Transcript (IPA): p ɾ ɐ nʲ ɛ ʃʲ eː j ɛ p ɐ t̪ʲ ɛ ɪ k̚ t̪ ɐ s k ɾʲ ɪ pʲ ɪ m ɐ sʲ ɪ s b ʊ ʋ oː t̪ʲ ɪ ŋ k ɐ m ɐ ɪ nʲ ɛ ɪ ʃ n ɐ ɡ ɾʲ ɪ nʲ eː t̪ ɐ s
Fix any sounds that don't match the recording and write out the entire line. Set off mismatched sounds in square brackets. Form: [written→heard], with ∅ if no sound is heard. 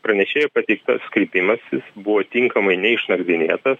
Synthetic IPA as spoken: p ɾ ɐ nʲ ɛ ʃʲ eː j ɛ p ɐ t̪ʲ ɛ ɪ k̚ t̪ ɐ s k ɾʲ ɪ pʲ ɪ m ɐ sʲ ɪ s b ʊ ʋ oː t̪ʲ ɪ ŋ k ɐ m ɐ ɪ nʲ ɛ ɪ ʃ n ɐ ɡ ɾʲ ɪ nʲ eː t̪ ɐ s